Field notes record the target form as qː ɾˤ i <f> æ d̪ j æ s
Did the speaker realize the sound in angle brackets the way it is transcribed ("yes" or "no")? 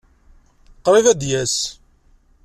no